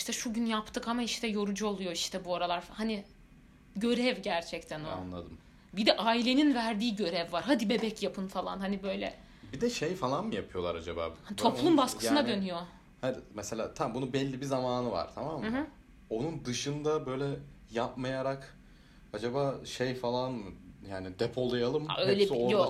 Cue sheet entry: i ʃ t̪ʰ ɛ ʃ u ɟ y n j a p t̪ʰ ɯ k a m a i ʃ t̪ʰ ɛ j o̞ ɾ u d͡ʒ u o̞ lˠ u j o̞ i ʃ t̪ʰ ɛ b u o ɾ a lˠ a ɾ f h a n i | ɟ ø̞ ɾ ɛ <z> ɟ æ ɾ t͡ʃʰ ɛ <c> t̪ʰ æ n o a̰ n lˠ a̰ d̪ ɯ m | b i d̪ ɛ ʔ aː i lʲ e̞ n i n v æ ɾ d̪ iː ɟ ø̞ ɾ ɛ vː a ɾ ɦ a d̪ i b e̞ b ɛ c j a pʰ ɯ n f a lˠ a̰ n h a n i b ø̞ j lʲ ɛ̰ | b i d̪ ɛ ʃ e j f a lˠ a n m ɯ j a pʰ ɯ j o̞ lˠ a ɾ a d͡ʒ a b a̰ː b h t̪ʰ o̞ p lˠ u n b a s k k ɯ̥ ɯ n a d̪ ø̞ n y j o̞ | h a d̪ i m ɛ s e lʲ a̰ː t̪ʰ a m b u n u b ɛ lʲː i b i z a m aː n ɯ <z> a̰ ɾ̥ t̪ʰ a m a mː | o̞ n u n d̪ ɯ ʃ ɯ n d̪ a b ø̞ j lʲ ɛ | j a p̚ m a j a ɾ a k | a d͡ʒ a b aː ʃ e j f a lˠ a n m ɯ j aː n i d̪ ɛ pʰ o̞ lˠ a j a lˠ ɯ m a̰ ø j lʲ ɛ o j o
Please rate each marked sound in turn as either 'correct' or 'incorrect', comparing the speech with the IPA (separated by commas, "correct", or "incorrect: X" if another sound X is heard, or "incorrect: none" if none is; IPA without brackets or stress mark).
incorrect: v, correct, incorrect: v